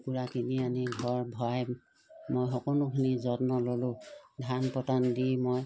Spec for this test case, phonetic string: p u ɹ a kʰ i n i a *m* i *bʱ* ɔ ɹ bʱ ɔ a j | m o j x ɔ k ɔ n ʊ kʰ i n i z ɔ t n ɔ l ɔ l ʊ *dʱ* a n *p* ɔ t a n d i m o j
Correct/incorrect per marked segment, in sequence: incorrect: n, incorrect: ɡʱ, correct, correct

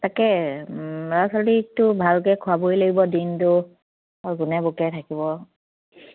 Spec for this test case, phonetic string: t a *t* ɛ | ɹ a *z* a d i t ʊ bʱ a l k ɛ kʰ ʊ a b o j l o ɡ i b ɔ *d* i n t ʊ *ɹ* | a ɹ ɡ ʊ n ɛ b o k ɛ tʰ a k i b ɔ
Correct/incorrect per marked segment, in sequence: incorrect: k, incorrect: s, correct, incorrect: none

